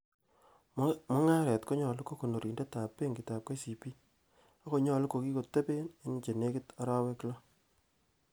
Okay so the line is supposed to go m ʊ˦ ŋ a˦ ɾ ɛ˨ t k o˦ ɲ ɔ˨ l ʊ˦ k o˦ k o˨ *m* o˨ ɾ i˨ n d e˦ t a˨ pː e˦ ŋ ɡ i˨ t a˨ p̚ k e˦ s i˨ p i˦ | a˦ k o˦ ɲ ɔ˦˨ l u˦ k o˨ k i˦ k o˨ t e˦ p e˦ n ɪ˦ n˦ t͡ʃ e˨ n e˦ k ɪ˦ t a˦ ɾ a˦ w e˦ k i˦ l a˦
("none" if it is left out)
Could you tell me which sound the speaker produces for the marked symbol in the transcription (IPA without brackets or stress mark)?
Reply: n